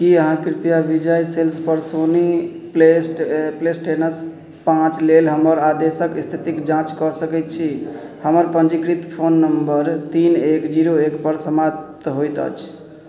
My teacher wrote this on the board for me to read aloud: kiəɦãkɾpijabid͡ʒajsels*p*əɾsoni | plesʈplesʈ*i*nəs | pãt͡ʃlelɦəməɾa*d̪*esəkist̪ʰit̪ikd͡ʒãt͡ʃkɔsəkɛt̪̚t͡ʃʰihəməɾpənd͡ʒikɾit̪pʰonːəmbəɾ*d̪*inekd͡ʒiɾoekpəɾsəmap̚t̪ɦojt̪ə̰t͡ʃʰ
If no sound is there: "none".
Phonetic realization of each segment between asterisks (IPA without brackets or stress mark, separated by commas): p, e, d̪, t̪